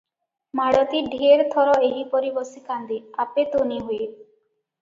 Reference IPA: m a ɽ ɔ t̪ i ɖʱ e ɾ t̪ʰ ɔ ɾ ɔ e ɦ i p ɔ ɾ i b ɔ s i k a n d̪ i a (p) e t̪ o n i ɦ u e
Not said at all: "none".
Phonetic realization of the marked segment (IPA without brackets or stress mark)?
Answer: p